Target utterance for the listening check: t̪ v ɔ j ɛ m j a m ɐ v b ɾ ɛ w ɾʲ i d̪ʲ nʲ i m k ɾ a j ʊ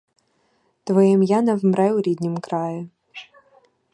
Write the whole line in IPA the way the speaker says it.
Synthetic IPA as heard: t̪ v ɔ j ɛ m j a n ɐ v m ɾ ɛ w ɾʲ i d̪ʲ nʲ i m k ɾ a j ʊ